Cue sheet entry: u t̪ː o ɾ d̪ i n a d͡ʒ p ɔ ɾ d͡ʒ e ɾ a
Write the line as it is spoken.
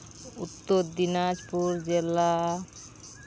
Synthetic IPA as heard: u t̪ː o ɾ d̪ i n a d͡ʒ p u ɾ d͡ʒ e l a